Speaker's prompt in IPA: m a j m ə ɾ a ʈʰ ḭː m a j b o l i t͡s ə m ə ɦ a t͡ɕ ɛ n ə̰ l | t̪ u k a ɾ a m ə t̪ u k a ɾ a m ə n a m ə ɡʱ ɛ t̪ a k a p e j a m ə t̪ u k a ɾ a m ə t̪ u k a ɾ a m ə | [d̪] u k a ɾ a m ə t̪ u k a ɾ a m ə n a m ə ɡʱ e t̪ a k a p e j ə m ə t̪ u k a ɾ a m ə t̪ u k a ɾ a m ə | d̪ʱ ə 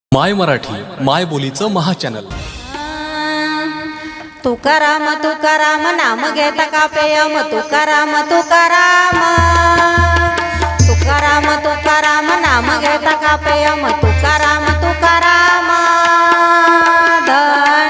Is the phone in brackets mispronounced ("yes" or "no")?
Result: yes